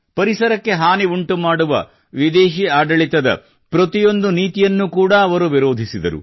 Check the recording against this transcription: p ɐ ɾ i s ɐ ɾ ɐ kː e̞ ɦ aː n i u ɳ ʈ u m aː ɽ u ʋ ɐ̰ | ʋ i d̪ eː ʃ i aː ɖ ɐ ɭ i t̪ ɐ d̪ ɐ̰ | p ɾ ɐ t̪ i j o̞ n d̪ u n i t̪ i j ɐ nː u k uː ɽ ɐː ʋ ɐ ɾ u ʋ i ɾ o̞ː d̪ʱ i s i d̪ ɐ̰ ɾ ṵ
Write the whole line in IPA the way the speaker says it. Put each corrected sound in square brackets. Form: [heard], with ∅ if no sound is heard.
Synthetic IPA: p ɐ ɾ i s ɐ ɾ ɐ kː e̞ ɦ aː n i u ɳ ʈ u m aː ɽ u ʋ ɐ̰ | ʋ i d̪ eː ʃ i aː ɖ ɐ ɭ i t̪ ɐ d̪ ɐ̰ | p ɾ ɐ t̪ i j o̞ n d̪ u n [iː] t̪ i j ɐ nː u k uː ɽ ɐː ʋ ɐ ɾ u ʋ i ɾ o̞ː d̪ʱ i s i d̪ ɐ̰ ɾ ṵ